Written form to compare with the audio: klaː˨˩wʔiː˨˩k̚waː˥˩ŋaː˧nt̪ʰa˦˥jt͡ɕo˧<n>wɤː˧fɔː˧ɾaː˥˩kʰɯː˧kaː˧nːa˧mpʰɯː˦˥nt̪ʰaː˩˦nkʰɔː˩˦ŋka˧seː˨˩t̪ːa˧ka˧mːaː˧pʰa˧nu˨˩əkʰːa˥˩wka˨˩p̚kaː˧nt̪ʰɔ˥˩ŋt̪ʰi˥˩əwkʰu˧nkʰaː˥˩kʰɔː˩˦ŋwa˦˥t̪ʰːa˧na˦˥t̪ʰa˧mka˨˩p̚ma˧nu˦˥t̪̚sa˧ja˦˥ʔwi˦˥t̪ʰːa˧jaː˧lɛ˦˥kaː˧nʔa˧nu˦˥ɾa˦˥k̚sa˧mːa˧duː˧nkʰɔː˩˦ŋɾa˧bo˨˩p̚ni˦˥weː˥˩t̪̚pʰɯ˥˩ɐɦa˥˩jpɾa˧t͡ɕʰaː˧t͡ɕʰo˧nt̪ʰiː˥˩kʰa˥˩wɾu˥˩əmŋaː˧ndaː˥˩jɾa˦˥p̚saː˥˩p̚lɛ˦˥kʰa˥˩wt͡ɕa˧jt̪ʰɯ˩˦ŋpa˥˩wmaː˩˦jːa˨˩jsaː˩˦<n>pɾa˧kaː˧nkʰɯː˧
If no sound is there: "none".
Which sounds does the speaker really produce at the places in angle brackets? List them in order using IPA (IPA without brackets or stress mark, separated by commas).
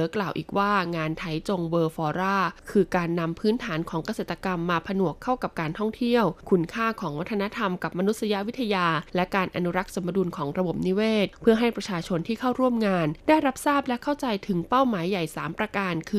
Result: ŋ, m